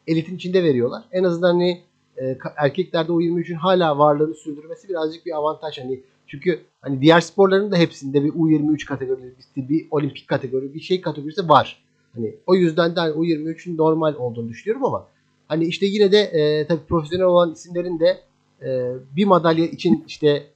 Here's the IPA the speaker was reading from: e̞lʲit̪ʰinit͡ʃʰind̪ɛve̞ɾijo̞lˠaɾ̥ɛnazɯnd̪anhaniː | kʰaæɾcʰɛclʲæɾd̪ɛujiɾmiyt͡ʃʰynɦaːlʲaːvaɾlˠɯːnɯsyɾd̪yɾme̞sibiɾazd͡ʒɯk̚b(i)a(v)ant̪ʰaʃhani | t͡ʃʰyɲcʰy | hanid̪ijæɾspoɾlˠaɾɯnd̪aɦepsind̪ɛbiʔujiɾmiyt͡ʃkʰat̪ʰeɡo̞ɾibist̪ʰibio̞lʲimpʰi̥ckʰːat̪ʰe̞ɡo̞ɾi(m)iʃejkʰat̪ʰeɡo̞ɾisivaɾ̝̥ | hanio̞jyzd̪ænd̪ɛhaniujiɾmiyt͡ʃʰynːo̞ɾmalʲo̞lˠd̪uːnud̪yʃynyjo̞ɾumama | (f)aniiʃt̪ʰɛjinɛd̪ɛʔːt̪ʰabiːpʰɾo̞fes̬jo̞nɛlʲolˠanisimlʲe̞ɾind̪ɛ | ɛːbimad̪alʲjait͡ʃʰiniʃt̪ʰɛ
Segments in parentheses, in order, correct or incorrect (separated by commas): correct, correct, incorrect, incorrect